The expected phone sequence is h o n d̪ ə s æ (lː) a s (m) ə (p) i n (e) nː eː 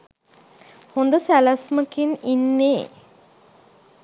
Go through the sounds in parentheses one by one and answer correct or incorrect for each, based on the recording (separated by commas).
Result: incorrect, correct, incorrect, incorrect